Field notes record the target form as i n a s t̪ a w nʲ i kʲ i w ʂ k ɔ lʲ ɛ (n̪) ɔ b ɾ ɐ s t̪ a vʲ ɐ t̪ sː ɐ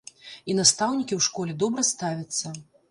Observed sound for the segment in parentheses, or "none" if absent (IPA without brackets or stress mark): d̪